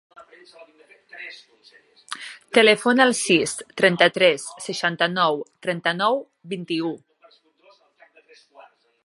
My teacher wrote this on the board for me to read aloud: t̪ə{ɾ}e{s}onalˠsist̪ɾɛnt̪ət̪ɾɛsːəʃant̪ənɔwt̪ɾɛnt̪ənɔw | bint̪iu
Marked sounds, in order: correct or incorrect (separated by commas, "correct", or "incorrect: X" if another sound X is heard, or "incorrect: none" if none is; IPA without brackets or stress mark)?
incorrect: l, incorrect: f